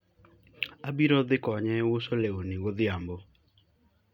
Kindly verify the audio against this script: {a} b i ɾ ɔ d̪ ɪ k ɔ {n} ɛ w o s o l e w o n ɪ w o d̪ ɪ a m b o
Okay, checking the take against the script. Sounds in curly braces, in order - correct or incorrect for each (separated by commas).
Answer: correct, incorrect